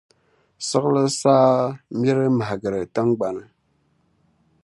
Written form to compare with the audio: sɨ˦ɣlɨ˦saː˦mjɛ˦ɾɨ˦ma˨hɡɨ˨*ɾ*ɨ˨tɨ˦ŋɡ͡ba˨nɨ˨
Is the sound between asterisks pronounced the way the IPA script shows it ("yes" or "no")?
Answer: yes